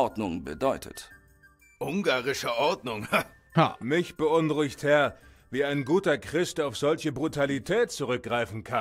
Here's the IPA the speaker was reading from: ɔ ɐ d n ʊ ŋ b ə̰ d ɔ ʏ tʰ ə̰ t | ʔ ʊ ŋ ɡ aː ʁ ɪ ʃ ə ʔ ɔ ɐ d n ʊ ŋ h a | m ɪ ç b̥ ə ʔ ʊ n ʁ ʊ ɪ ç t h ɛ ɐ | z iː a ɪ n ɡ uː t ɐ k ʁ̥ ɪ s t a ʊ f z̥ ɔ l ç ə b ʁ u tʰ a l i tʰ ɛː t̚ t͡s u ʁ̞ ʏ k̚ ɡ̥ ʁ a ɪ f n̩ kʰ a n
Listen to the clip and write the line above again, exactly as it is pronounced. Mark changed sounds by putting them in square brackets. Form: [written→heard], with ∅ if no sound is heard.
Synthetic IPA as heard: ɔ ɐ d n ʊ ŋ b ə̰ d ɔ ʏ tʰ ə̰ t | ʔ ʊ ŋ ɡ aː ʁ ɪ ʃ ə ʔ ɔ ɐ d n ʊ ŋ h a | m ɪ ç b̥ ə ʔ ʊ n ʁ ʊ ɪ ç t h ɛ ɐ | [z→v] iː a ɪ n ɡ uː t ɐ k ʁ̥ ɪ s t a ʊ f z̥ ɔ l ç ə b ʁ u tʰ a l i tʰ ɛː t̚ t͡s u ʁ̞ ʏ k̚ ɡ̥ ʁ a ɪ f n̩ kʰ a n